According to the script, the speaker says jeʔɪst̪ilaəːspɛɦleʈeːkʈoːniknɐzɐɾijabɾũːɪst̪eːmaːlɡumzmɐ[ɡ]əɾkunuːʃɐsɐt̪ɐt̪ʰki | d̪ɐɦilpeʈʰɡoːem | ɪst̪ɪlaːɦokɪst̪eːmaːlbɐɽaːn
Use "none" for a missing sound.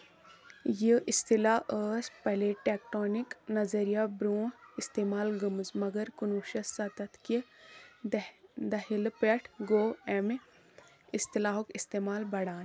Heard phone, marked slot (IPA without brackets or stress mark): ɡ